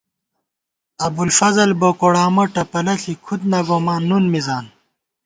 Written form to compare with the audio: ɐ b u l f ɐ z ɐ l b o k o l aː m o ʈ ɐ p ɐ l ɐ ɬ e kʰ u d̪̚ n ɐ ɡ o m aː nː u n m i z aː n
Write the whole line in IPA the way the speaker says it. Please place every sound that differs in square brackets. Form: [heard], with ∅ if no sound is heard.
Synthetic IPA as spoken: ɐ b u l f ɐ z ɐ l b o k o [ɽ] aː m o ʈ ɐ p ɐ l ɐ ɬ [i] kʰ u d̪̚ n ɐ ɡ o m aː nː u n m i z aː n